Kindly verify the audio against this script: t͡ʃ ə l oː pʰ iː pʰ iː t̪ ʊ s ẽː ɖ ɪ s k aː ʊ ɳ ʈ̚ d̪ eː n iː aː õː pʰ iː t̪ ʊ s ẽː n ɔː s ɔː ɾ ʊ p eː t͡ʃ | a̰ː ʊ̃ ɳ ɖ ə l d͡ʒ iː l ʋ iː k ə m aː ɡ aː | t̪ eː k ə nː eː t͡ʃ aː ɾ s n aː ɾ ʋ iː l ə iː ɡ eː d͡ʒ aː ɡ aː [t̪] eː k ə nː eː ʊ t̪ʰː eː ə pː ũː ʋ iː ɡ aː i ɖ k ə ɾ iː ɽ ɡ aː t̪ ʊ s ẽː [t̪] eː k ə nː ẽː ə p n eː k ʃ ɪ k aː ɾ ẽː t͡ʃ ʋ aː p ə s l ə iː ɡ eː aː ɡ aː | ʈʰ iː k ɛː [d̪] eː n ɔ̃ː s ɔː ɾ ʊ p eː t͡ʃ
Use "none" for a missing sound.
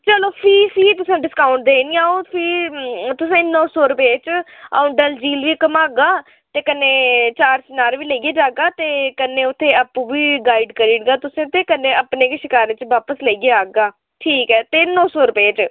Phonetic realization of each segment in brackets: t̪, t̪, t̪

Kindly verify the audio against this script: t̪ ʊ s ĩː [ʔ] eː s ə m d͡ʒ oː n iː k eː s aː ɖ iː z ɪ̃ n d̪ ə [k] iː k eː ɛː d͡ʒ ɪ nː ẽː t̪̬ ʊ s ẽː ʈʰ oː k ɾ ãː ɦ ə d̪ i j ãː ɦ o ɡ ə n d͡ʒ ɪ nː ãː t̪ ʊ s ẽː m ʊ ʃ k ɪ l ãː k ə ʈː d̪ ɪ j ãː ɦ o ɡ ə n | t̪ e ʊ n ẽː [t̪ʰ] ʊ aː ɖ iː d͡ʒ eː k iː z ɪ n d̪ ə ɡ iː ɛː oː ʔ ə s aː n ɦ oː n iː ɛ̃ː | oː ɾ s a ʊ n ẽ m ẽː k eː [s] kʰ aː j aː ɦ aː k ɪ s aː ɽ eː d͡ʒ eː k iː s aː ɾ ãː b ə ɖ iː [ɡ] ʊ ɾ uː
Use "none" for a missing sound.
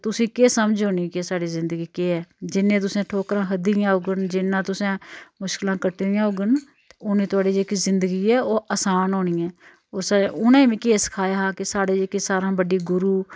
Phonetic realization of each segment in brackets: k, ɡ, t̪, s, ɡ

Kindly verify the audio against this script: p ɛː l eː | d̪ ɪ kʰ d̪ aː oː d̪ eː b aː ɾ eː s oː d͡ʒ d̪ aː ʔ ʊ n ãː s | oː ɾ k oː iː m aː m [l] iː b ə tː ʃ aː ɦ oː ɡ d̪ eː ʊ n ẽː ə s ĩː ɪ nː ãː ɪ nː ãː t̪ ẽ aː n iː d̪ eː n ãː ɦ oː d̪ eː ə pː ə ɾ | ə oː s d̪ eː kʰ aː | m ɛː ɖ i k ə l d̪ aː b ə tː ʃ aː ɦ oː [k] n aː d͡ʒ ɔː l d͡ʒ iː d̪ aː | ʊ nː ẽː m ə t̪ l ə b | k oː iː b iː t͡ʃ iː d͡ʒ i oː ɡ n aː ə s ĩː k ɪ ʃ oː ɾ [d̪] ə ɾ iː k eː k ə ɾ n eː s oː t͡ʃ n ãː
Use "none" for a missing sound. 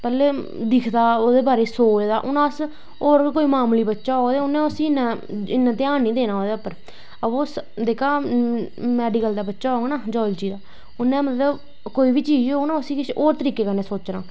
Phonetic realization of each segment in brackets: l, ɡ, t̪

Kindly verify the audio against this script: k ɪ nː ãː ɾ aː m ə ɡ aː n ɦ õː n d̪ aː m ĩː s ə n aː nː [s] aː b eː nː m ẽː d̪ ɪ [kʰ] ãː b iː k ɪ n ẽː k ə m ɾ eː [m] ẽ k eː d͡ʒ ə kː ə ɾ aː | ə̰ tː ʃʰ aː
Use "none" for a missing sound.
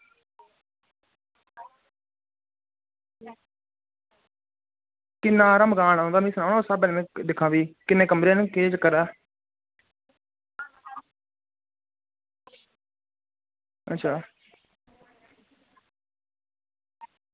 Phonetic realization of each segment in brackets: s, kʰ, n

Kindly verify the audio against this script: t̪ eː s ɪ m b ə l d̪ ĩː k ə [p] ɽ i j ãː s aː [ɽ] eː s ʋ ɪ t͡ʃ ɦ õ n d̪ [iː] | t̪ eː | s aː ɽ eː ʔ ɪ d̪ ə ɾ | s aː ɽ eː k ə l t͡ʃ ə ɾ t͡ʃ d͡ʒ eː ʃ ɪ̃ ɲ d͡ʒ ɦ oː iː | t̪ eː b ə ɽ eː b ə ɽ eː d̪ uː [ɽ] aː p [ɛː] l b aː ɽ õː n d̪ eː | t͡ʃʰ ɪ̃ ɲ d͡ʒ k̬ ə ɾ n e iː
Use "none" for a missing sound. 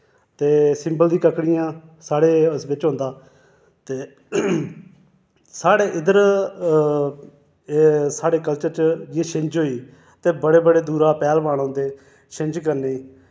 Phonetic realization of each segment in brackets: k, ɽ, aː, ɾ, ɛː

